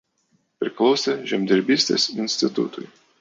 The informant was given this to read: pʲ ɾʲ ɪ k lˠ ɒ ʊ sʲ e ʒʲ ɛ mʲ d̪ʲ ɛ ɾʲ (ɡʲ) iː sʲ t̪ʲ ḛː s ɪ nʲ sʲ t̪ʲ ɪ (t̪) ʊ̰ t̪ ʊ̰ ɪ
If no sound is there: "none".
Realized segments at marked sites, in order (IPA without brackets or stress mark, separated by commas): bʲ, t̪